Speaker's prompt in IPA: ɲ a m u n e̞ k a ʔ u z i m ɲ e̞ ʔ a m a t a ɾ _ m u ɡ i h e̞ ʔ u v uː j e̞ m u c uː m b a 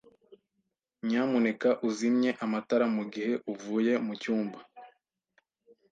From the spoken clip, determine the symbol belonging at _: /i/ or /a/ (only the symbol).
a